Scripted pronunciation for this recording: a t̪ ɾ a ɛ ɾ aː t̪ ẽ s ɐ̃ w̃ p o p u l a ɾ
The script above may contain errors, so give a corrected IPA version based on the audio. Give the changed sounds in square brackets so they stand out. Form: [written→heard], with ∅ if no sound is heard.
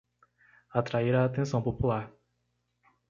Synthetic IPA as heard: a t̪ ɾ a [ɛ→i] ɾ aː t̪ ẽ s ɐ̃ w̃ p o p u l a ɾ